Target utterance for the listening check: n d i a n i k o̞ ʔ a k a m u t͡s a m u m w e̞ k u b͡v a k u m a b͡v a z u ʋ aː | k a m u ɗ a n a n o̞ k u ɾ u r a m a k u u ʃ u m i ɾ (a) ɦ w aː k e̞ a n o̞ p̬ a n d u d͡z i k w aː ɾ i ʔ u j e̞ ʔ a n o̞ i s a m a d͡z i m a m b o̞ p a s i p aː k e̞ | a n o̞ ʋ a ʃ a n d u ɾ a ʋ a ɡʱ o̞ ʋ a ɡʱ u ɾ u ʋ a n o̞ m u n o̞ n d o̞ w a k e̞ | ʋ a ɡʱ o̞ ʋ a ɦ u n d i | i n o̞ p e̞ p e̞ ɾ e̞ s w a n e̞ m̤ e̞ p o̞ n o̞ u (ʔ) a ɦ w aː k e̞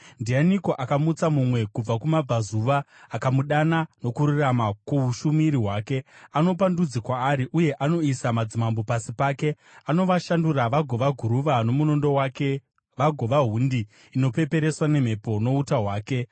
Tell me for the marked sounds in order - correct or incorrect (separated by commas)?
incorrect, incorrect